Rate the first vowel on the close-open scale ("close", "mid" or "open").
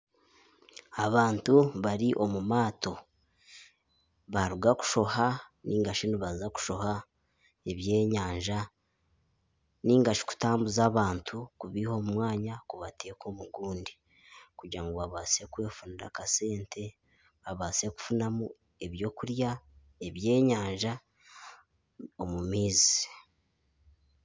open